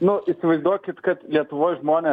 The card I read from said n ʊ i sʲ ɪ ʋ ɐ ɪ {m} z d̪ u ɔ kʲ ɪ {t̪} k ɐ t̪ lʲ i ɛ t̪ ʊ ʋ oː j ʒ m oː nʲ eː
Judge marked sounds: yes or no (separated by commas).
no, yes